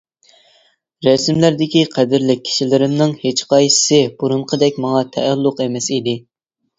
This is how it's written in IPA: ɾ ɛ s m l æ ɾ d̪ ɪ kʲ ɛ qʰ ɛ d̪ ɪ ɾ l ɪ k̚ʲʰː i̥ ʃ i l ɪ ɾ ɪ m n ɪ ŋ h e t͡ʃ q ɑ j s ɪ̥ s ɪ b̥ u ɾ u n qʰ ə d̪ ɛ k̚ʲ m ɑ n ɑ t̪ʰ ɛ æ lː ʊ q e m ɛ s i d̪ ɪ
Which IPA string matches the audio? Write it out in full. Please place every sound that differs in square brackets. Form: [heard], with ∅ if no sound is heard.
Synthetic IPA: ɾ ɛ s m l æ ɾ d̪ ɪ kʲ [i] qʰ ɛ d̪ ɪ ɾ l ɪ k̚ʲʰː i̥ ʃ i l ɪ ɾ ɪ m n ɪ ŋ h e t͡ʃ q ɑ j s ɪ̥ s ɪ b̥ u ɾ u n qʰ ə d̪ ɛ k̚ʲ m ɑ [ŋ] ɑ t̪ʰ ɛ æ lː ʊ q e m ɛ s i d̪ ɪ